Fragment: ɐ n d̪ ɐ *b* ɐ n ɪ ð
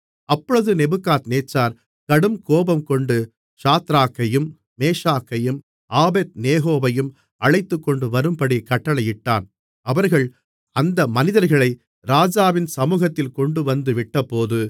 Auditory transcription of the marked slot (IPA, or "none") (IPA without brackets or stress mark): m